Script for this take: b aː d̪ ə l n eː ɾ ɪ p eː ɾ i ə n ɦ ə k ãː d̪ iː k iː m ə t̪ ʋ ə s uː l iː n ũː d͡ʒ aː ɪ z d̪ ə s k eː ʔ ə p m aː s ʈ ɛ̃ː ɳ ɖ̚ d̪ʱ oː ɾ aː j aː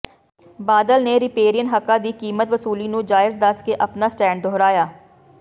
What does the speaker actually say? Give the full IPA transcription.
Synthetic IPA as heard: b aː d̪ ə l n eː ɾ ɪ p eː ɾ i ə n ɦ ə k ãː d̪ iː k iː m ə t̪ ʋ ə s uː l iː n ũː d͡ʒ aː ɪ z d̪ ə s k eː ʔ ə p n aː s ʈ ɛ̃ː ɳ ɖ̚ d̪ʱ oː ɾ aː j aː